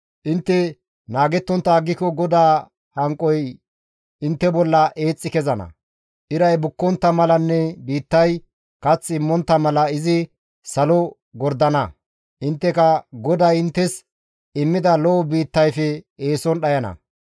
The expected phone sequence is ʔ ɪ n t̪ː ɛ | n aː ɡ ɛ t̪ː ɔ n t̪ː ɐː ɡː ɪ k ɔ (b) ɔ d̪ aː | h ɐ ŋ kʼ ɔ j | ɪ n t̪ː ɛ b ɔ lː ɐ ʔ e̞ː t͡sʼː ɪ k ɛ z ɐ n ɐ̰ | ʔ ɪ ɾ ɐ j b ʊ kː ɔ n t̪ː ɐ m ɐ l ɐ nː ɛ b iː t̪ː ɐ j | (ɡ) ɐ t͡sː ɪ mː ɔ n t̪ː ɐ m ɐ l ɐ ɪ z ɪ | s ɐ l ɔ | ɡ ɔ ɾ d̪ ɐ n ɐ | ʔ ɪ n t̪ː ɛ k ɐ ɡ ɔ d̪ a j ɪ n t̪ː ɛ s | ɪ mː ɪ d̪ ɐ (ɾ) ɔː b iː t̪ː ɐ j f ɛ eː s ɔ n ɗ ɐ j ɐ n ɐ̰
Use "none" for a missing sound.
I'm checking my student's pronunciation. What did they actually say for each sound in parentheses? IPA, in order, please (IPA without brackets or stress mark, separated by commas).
ɡ, k, l